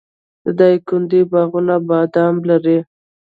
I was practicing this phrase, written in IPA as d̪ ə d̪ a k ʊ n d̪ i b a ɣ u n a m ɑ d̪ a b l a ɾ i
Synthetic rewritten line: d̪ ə d̪ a k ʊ n d̪ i b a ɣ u n a b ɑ d̪ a m l a ɾ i